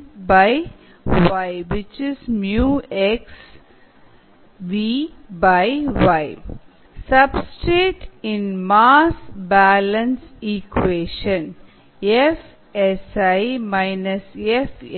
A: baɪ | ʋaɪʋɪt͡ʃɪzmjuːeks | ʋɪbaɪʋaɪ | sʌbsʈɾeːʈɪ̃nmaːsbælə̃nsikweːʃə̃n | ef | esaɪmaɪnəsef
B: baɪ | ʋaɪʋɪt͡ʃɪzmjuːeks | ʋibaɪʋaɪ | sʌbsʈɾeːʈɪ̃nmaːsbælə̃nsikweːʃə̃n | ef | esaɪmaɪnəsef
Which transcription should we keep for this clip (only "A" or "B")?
B